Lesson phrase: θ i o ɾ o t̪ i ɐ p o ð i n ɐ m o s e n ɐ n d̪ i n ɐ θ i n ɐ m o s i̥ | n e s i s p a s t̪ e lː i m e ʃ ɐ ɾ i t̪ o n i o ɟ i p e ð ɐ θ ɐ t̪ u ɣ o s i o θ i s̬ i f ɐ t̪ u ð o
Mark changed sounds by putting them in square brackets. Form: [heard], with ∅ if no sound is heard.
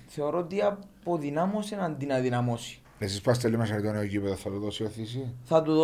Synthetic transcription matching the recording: θ [e] o ɾ o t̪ i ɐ p o ð i n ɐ m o s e n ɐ n d̪ i n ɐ [ð] i n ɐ m o s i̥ | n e s i s p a s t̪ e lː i m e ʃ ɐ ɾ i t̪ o n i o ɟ i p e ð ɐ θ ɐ t̪ u [ð] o s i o θ i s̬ i [θ] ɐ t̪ u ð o